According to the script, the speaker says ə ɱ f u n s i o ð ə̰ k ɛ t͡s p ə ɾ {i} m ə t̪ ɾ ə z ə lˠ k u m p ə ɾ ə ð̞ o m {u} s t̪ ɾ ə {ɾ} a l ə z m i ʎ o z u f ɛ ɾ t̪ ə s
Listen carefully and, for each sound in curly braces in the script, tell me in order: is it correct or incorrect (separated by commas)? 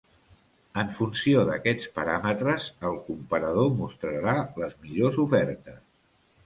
incorrect, correct, correct